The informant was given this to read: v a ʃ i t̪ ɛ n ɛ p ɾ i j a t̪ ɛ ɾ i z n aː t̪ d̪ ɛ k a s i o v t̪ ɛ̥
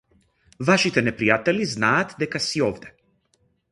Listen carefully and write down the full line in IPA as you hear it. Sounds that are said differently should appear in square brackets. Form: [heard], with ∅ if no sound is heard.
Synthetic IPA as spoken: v a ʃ i t̪ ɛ n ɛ p ɾ i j a t̪ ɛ [l] i z n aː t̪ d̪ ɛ k a s i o v [d̪] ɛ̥